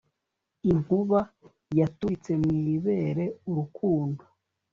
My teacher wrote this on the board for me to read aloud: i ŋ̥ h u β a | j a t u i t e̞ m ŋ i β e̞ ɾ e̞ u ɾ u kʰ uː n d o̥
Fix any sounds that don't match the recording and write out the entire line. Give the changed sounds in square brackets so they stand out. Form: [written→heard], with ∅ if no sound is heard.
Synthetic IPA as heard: i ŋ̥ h u β a | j a t u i [t→t͡s] e̞ m ŋ i β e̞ ɾ e̞ u ɾ u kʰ uː n d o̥